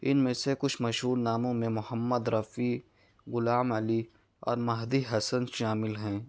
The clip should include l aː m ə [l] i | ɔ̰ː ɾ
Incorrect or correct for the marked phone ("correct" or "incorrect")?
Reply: correct